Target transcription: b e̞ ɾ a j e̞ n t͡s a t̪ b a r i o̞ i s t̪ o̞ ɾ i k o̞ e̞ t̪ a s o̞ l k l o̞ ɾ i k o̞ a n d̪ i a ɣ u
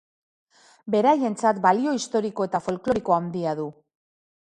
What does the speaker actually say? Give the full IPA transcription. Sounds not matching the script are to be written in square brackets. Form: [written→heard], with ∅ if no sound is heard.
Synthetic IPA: b e̞ ɾ a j e̞ n t͡s a t̪ b a [r→l] i o̞ i s t̪ o̞ ɾ i k o̞ e̞ t̪ a [s→f] o̞ l k l o̞ ɾ i k o̞ a n d̪ i a [ɣ→ð] u